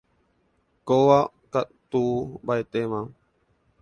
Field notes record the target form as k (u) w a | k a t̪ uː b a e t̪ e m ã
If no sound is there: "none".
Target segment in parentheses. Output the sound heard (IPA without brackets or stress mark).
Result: o